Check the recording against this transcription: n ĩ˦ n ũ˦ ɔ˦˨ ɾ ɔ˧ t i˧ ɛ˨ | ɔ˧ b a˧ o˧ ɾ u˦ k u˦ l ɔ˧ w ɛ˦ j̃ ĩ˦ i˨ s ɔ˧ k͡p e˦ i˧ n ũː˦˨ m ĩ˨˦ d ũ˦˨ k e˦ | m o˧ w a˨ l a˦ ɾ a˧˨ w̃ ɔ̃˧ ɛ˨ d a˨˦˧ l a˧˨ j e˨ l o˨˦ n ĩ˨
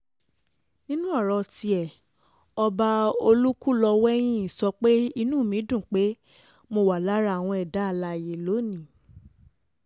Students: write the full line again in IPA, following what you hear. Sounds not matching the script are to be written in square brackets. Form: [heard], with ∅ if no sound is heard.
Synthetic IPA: n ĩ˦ n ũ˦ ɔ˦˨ ɾ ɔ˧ t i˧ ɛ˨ | ɔ˧ b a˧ o˧ [l] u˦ k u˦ l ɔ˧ w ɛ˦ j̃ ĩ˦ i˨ s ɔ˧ k͡p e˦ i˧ n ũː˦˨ m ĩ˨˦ d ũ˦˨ [k͡p] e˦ | m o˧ w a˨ l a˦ ɾ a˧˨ w̃ ɔ̃˧ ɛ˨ d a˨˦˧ l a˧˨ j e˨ l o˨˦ n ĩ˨